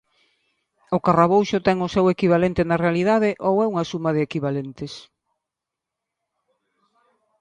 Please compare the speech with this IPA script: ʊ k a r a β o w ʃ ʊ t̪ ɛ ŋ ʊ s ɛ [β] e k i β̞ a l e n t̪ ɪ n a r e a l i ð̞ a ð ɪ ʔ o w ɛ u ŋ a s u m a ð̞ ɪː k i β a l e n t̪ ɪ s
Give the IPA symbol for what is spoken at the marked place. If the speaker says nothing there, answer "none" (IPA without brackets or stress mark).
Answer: w